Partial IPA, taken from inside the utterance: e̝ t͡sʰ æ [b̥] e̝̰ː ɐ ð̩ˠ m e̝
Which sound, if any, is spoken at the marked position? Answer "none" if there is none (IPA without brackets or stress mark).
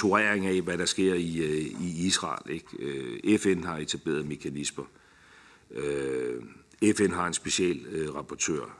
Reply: b̥